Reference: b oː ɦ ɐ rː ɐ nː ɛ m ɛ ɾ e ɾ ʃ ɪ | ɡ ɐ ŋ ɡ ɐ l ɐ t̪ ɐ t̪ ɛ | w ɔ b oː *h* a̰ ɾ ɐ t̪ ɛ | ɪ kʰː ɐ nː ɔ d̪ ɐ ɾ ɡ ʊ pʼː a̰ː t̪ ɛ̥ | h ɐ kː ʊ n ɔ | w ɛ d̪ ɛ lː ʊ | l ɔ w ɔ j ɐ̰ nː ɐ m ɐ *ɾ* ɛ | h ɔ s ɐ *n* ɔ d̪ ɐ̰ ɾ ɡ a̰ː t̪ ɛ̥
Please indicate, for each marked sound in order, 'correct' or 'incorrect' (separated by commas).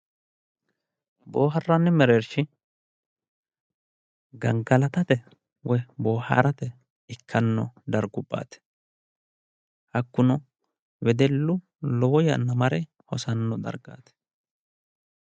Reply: correct, correct, incorrect